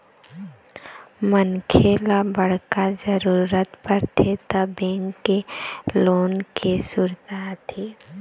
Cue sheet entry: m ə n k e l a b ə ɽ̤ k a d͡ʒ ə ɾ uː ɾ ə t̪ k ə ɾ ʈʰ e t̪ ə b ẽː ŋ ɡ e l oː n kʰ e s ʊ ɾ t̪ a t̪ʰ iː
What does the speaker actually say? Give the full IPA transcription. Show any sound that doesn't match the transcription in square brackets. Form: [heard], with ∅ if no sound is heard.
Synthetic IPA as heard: m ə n [kʰ] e l a b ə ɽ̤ k a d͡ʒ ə ɾ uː ɾ ə t̪ [p] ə ɾ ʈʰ e t̪ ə b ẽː ŋ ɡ e l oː n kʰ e s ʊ ɾ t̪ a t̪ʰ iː